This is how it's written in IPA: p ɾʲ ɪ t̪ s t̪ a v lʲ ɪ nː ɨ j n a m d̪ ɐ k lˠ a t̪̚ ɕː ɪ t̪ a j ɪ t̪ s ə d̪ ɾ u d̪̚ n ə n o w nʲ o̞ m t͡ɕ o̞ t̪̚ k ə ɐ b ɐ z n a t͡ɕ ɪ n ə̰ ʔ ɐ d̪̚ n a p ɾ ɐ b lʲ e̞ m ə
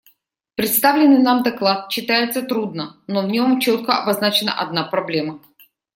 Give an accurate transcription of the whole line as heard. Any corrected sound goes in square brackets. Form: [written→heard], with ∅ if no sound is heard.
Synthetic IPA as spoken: p ɾʲ ɪ t̪ s t̪ a v lʲ ɪ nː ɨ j n a m d̪ ɐ k lˠ a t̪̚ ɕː ɪ t̪ a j ɪ t̪ s ə [d̪→t̪] ɾ u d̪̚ n ə n o [w→v] nʲ o̞ m t͡ɕ o̞ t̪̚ k ə ɐ b ɐ z n a t͡ɕ ɪ n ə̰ ʔ ɐ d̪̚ n a p ɾ ɐ b lʲ e̞ m ə